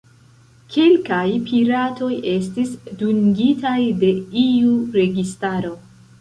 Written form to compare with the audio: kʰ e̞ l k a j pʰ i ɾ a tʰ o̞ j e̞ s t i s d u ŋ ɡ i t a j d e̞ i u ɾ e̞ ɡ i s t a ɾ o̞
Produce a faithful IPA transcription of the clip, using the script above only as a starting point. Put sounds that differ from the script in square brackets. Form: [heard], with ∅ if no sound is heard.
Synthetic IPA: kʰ e̞ l k a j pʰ i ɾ a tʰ o̞ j e̞ s t i s d u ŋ ɡ i t a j d e̞ i u ɾ e̞ ɡ i s t a ɾ o̞